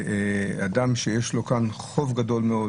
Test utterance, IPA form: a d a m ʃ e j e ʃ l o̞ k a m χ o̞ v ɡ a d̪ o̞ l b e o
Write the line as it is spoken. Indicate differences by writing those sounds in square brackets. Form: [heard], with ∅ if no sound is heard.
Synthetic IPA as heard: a d a m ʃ e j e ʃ l o̞ k a [n] χ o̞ v ɡ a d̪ o̞ l [m] e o